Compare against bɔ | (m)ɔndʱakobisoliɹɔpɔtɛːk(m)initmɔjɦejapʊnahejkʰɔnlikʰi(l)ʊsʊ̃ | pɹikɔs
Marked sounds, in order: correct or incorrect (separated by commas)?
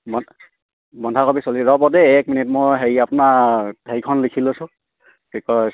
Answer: incorrect, correct, correct